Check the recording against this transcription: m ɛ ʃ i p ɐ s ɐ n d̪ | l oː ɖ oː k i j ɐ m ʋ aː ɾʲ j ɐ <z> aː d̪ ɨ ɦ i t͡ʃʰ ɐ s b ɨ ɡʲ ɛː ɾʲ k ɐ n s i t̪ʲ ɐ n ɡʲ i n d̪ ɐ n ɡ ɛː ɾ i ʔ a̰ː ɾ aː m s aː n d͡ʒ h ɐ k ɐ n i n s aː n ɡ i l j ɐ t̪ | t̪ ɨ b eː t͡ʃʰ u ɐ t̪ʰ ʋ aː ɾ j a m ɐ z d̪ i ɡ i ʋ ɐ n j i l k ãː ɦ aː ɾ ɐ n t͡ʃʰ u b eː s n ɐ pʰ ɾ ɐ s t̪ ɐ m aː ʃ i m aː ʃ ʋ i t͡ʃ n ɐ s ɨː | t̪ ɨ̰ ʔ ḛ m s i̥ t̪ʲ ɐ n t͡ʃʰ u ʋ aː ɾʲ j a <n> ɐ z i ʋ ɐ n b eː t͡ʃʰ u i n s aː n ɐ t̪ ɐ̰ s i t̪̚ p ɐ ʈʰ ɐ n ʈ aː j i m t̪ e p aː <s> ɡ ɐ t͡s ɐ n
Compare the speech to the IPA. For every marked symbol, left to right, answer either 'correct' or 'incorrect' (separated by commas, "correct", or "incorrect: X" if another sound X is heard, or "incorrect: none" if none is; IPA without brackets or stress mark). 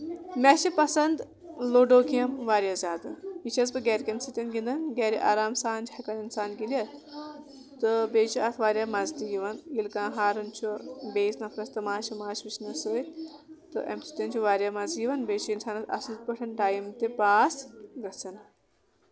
correct, incorrect: m, correct